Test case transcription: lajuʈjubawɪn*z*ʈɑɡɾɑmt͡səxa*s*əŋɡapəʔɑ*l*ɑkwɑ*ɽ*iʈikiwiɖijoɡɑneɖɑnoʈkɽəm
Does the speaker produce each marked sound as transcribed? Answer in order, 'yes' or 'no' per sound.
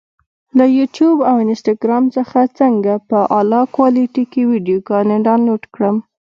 no, no, yes, no

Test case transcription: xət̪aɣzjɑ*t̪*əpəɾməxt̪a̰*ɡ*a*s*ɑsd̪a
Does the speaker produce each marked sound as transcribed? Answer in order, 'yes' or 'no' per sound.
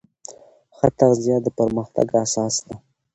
no, yes, yes

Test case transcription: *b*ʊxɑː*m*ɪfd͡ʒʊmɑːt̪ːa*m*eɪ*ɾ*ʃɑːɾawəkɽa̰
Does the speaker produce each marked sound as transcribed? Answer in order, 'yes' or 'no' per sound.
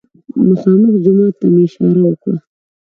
no, yes, yes, no

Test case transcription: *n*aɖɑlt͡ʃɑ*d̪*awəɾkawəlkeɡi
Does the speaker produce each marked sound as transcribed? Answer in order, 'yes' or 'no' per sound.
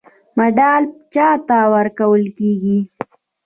no, no

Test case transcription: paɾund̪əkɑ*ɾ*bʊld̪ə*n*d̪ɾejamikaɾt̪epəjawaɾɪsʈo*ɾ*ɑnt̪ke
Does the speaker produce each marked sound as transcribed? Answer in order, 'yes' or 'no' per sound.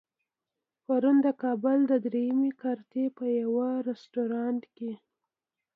no, no, yes

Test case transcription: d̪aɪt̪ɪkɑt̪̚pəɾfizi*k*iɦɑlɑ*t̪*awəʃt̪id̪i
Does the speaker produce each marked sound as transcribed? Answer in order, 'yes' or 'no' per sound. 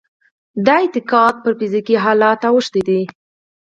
yes, yes

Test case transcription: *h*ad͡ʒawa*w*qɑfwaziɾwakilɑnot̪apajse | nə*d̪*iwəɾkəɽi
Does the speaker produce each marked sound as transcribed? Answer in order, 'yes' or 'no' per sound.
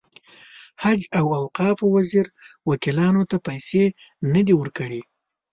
yes, yes, yes

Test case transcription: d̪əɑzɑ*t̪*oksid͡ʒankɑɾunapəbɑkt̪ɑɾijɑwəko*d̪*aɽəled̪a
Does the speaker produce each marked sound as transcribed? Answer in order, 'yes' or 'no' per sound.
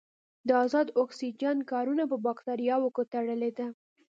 no, no

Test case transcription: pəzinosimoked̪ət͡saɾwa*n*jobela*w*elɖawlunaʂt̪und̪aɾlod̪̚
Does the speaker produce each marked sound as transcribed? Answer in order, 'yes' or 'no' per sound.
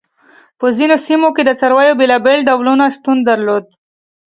no, no

